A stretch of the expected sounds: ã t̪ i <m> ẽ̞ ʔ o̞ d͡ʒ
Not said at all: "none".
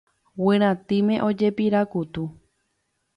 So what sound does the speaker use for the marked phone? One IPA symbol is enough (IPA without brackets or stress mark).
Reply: m